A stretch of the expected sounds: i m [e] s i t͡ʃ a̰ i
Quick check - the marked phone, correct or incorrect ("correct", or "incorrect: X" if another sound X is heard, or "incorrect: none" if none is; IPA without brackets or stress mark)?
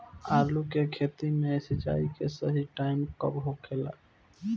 correct